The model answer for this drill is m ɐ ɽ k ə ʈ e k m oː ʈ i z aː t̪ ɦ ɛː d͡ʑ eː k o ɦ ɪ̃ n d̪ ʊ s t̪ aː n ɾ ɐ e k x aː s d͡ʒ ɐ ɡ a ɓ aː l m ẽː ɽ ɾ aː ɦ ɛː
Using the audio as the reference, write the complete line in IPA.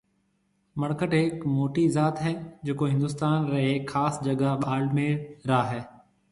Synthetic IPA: m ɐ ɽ k ə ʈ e k m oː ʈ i z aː t̪ ɦ ɛː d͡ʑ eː k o ɦ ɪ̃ n d̪ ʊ s t̪ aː n ɾ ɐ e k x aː s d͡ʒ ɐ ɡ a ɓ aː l m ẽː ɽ ɾ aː ɦ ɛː